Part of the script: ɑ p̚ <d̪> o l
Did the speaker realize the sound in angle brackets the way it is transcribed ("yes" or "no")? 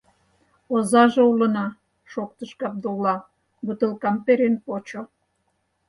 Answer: yes